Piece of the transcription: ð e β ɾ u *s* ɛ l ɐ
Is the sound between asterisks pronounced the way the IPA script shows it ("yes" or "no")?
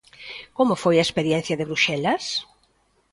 no